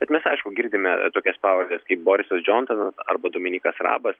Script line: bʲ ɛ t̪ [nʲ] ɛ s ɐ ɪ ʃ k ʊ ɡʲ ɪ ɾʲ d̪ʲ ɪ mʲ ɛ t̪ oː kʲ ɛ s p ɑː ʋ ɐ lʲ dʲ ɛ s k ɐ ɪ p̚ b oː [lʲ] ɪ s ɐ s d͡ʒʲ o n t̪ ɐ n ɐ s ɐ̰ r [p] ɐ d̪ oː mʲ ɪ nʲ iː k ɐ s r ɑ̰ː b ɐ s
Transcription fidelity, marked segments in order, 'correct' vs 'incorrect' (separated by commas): incorrect, incorrect, incorrect